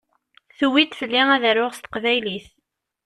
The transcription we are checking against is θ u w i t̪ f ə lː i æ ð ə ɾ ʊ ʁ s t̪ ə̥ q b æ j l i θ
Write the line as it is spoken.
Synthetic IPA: θ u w i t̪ f ə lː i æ ð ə ɾ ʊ ʁ s t̪ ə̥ q v æ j l i θ